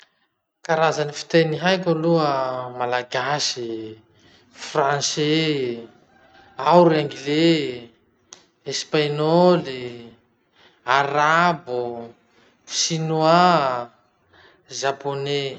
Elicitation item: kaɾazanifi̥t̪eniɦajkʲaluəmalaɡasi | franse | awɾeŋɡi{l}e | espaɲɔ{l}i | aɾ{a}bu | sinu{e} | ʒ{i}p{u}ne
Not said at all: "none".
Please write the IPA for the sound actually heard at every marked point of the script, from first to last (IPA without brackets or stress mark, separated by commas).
l, l, a, a, a, o